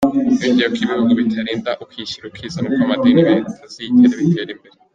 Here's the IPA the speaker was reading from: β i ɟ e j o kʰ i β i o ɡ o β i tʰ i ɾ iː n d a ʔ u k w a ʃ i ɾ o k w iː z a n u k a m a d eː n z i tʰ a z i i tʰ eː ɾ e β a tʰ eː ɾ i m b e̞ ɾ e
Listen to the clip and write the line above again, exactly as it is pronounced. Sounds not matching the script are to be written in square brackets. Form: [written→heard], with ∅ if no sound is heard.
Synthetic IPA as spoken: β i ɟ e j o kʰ i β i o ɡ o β i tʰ [i→a] ɾ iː n d a ʔ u k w [a→i] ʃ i ɾ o k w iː z a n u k a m a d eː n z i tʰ a z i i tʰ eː ɾ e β [a→i] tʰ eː ɾ i m b e̞ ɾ e